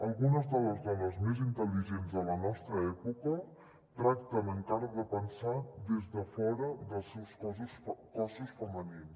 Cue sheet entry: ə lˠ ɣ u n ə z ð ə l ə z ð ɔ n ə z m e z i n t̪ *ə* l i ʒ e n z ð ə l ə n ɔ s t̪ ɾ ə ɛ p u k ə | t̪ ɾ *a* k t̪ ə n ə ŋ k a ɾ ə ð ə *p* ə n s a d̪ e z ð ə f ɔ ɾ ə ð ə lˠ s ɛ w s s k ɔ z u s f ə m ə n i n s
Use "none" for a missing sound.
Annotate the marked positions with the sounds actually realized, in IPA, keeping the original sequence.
ə, a, p

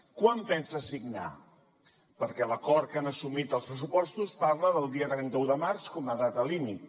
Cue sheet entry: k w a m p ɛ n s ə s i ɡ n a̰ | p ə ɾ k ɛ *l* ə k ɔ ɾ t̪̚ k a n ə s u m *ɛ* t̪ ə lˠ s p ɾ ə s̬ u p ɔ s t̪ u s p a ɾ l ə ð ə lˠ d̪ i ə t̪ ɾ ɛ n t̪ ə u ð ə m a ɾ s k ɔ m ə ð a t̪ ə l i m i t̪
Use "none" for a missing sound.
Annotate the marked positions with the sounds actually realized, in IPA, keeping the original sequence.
l, i

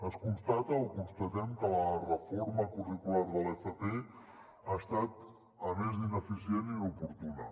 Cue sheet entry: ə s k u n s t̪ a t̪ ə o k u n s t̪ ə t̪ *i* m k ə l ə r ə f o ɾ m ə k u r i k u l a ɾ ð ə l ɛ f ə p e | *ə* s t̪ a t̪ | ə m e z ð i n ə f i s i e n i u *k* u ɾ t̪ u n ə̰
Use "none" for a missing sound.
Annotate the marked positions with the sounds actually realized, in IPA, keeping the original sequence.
ɛ, a, p

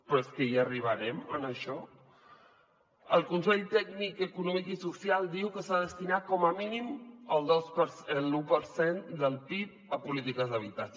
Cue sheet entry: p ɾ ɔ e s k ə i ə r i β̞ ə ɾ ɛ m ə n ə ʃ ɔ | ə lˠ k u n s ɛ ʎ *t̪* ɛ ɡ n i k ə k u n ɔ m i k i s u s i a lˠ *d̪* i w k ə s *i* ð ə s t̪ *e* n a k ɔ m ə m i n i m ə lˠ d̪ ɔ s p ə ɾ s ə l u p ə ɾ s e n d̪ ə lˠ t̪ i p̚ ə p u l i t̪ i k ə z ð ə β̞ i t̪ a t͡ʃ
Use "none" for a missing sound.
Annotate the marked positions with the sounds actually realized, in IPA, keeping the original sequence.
t̪, d̪, a, i

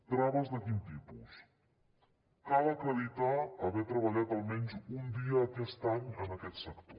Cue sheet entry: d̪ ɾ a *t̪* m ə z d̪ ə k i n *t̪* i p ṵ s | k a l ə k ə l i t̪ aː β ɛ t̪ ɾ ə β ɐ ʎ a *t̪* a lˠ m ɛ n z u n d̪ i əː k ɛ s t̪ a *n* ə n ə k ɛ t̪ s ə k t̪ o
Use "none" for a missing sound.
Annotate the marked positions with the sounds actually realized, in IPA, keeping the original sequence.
none, t̪, t̪, ɲ

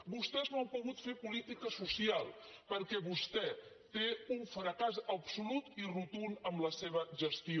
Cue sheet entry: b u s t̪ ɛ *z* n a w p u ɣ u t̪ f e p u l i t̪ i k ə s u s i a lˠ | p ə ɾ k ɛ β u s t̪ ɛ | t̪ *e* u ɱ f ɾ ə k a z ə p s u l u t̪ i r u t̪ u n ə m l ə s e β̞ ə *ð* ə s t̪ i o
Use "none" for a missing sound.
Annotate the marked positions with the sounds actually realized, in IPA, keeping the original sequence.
z, e, ʒ

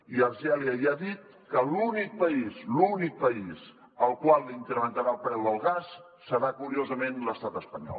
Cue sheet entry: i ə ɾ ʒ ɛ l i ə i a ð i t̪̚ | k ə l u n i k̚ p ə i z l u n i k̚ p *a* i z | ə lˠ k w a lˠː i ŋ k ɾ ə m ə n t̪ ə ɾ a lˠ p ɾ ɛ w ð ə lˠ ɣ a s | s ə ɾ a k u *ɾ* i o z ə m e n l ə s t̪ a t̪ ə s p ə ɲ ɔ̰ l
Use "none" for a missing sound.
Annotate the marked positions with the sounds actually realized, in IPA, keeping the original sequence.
ə, ɾ

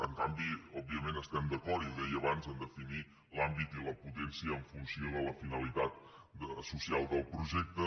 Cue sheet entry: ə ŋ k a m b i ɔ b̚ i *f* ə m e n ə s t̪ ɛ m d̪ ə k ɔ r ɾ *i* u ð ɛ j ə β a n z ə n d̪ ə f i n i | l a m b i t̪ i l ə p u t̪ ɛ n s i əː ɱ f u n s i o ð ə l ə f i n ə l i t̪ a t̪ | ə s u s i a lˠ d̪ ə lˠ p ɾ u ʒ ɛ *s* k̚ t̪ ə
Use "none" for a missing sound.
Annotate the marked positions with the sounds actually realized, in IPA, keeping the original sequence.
none, i, none

